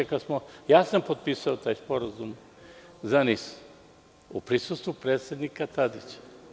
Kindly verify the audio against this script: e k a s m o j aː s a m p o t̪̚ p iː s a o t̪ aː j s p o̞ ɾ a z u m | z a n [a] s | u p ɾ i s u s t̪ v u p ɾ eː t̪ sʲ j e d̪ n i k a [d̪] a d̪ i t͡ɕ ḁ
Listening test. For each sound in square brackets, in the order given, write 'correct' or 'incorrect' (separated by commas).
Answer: incorrect, incorrect